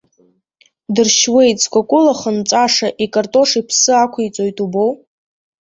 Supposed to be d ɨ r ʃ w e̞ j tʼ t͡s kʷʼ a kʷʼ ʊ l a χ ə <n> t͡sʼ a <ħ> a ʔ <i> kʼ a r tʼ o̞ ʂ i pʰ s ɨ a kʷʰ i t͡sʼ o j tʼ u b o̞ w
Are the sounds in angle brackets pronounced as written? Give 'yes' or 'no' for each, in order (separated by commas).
yes, no, yes